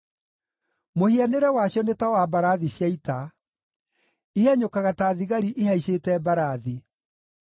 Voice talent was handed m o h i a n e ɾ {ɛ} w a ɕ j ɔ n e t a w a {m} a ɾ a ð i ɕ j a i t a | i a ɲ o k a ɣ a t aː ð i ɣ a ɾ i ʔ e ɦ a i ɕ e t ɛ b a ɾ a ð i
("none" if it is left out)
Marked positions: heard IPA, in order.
ɛ, b

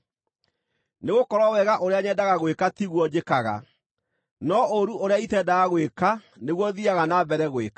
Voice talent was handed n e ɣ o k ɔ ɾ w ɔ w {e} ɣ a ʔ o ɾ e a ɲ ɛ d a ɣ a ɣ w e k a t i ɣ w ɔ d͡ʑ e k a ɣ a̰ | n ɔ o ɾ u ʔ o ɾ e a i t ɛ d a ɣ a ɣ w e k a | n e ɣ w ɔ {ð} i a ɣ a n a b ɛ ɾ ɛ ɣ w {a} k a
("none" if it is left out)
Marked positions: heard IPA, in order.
ɛ, ð, e

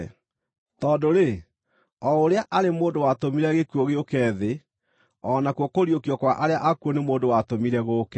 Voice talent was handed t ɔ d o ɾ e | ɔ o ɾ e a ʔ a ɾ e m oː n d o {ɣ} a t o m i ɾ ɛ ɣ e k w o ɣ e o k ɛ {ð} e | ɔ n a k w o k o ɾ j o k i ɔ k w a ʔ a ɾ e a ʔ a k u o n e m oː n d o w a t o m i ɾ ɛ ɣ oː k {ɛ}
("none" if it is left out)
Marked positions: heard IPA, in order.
w, ð, ɛ

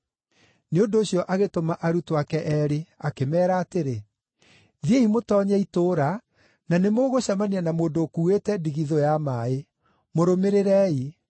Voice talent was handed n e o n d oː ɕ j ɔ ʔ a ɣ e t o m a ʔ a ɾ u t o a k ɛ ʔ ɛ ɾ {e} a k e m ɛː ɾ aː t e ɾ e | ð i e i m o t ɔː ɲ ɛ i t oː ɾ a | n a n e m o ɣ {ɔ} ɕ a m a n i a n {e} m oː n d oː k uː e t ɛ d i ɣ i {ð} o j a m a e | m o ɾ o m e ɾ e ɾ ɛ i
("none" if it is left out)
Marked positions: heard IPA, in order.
e, o, a, ð

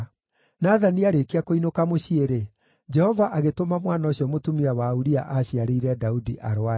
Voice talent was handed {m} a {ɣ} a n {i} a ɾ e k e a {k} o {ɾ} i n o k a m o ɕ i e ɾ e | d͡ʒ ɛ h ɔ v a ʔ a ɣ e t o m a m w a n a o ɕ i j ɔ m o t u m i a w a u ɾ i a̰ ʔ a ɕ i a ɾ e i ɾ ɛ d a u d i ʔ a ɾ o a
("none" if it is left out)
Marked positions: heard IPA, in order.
n, ð, i, k, none

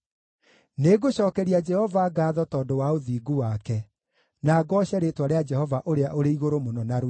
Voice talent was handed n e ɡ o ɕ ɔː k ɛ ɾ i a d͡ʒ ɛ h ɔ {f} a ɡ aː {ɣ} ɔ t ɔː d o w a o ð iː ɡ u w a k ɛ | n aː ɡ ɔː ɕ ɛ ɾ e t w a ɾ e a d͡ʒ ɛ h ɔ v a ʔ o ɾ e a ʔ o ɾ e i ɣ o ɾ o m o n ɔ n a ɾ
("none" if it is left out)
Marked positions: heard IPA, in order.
v, ð

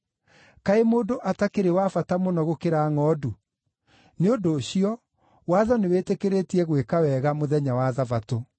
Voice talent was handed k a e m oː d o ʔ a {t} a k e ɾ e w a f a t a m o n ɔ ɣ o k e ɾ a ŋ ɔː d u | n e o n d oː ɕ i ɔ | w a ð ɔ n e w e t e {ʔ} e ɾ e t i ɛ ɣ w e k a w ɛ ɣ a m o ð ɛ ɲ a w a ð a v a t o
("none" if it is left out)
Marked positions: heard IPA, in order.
t, k

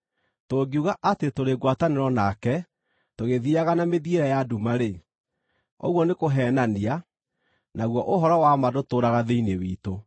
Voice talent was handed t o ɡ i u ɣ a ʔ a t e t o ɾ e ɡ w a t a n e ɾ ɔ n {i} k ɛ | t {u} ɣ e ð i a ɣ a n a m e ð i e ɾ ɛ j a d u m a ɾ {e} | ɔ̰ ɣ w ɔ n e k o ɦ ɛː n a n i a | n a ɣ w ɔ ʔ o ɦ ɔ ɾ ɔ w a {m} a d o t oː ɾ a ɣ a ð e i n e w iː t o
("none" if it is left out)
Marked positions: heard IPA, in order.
a, o, e, m

